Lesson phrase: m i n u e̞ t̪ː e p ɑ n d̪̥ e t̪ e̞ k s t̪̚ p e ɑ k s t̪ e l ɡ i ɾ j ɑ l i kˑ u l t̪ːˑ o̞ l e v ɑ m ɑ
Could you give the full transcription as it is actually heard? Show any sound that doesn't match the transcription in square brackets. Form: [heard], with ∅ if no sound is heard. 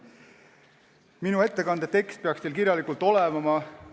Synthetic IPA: m i n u e̞ t̪ː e [k] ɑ n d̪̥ e t̪ e̞ k s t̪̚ p e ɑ k s t̪ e l [k] i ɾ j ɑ l i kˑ u l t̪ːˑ o̞ l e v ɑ m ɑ

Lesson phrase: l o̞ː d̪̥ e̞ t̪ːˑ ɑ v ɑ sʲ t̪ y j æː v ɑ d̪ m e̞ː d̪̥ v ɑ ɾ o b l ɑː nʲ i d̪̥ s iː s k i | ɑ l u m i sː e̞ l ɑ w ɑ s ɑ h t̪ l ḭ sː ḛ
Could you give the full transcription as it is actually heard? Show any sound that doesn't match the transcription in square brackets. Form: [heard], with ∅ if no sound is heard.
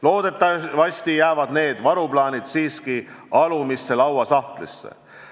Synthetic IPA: l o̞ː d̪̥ e̞ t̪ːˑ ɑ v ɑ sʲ t̪ [i] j æː v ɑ d̪ [n] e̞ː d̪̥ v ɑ ɾ [u] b l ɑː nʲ i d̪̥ s iː s k i | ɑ l u m i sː e̞ l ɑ w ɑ s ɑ h t̪ l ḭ sː ḛ

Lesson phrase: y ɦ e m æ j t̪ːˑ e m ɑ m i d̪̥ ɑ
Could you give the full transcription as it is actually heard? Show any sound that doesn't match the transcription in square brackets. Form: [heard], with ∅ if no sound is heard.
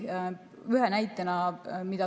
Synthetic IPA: y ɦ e [n] æ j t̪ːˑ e [n] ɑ m i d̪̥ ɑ

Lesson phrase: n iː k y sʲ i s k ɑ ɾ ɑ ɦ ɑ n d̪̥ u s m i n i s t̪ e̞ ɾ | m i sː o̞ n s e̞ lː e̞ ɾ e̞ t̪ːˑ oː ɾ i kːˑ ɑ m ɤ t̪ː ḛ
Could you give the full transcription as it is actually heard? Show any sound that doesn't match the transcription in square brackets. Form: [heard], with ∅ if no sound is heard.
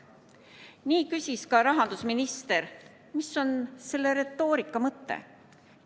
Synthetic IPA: n iː k y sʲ i s k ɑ ɾ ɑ ɦ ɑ n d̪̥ u s m i n i s t̪ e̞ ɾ | m i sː o̞ n s e̞ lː e̞ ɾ e̞ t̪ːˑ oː ɾ i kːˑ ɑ m ɤ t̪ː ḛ

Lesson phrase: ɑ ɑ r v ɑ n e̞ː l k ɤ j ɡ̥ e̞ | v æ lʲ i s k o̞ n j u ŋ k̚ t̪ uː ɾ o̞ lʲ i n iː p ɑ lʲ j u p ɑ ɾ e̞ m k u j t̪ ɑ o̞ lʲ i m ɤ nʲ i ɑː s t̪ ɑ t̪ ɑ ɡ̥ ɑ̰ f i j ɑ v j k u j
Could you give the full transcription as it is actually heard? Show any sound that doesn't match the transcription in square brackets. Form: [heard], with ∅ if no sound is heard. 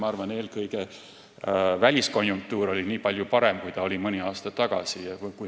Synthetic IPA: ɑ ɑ r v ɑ n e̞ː l k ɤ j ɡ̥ e̞ | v æ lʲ i s k o̞ n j u ŋ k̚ t̪ uː ɾ o̞ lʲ i n iː p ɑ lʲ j u p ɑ ɾ e̞ m k u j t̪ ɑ o̞ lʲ i m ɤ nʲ i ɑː s t̪ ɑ t̪ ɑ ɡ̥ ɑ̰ [s] i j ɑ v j k u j

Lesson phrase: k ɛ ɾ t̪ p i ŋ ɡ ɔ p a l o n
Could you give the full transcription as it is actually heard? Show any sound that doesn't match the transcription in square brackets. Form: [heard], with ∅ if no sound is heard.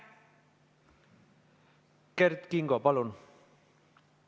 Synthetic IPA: k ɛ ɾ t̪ [k] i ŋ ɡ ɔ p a l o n

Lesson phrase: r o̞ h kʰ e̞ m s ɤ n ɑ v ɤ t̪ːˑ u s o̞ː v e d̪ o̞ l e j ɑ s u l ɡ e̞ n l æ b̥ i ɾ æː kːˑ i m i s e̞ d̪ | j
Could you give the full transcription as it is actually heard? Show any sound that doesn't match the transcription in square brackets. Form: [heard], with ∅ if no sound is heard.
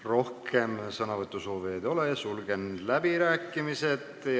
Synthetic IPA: r o̞ h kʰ e̞ m s ɤ n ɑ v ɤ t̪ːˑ u s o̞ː v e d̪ o̞ l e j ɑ s u l ɡ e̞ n l æ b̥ i ɾ æː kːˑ i m i s e̞ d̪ | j

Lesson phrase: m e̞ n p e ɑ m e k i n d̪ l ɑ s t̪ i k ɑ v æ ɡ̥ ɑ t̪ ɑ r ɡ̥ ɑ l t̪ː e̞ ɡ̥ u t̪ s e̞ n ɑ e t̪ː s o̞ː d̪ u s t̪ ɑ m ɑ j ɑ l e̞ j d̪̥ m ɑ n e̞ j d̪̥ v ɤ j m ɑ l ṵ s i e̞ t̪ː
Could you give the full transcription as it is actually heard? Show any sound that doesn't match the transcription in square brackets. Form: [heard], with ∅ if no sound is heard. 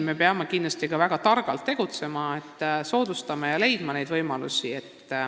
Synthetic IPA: m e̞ [∅] p e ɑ m e k i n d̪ l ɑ s t̪ i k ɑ v æ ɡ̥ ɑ t̪ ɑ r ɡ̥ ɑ l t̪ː e̞ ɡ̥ u t̪ s e̞ [m] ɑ e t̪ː s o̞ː d̪ u s t̪ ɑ m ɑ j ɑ l e̞ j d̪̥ m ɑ n e̞ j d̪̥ v ɤ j m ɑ l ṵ s i e̞ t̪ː

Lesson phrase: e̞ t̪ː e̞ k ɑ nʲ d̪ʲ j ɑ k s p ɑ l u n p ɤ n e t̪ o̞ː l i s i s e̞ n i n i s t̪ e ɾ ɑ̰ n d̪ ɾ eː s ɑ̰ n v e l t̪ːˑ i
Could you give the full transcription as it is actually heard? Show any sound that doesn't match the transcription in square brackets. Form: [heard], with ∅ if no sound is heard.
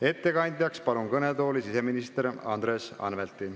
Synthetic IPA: e̞ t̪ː e̞ k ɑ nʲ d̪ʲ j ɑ k s p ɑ l u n [k] ɤ n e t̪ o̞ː l i s i s e̞ [m] i n i s t̪ e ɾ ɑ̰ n d̪ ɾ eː s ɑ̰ n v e l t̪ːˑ i

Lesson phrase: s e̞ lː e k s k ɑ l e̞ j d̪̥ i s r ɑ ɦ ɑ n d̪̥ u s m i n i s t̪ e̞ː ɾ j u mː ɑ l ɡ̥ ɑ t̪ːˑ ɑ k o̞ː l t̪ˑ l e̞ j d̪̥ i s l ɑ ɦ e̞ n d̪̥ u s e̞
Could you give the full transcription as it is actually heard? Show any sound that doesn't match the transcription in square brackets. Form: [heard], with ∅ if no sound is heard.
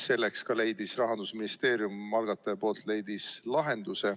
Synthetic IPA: s e̞ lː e k s k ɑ l e̞ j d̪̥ i s r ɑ ɦ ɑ n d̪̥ u s m i n i s t̪ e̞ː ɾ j u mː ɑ l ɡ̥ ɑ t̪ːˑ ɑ [p] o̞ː l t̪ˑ l e̞ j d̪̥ i s l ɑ ɦ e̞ n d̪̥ u s e̞

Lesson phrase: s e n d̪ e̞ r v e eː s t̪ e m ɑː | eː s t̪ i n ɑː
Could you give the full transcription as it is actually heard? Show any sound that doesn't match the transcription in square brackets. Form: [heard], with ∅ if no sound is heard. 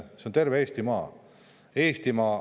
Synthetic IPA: s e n [t̪] e̞ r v e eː s t̪ [i] m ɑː | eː s t̪ i [m] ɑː

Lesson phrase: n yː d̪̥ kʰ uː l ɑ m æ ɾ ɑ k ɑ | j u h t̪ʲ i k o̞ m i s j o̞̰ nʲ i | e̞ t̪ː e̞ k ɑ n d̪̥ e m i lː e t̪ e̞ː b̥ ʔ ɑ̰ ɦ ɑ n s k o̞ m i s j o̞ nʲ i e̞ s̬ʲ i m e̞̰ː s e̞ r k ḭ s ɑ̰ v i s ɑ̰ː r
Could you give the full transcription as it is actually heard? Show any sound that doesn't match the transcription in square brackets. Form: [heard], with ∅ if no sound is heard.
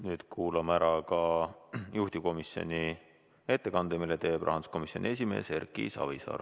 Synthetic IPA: n yː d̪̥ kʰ uː l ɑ m æ ɾ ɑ k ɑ | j u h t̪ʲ i k o̞ m i s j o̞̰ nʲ i | e̞ t̪ː e̞ k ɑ n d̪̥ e m i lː e t̪ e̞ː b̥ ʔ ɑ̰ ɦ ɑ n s k o̞ m i s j o̞ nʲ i e̞ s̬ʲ i m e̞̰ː s e̞ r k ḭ s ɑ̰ v i s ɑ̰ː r

